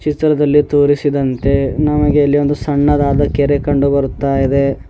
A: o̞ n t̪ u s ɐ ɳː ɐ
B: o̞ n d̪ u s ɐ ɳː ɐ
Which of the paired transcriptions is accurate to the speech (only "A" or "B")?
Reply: B